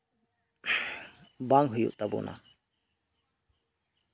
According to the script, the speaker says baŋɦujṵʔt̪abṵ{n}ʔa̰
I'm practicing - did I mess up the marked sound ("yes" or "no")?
no